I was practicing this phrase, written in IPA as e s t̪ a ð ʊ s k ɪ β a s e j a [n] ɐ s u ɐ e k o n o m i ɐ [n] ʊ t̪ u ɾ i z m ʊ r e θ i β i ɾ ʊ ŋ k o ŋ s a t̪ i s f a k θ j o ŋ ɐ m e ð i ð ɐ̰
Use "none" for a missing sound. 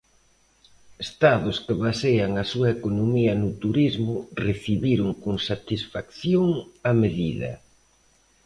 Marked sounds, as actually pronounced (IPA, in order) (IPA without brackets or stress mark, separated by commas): ŋ, n